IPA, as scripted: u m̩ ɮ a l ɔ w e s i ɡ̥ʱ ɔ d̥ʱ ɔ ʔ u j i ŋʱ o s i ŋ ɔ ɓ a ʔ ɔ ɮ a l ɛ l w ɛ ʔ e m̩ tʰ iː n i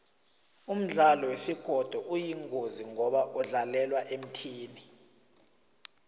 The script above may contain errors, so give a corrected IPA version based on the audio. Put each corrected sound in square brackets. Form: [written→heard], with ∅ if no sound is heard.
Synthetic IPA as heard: u m̩ ɮ a l ɔ w e s i ɡ̥ʱ ɔ d̥ʱ ɔ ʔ u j i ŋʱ o [s→z] i ŋ ɔ ɓ a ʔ ɔ ɮ a l ɛ l w [ɛ→a] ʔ e m̩ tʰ iː n i